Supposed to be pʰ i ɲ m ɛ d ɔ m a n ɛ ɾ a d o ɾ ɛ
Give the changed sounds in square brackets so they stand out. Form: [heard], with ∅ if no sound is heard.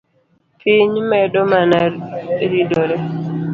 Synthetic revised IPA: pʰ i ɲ m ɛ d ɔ m a n [a] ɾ [i] d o ɾ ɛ